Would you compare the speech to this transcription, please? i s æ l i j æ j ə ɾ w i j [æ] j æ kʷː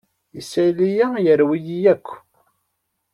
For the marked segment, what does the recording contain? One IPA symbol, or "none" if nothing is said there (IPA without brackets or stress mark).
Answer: i